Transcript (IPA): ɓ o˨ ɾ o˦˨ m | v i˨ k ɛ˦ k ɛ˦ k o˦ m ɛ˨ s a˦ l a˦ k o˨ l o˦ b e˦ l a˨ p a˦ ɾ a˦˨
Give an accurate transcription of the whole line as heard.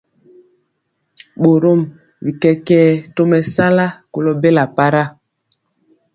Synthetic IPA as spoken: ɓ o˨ ɾ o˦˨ m | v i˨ k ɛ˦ k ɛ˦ t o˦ m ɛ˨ s a˦ l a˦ k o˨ l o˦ b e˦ l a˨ p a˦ ɾ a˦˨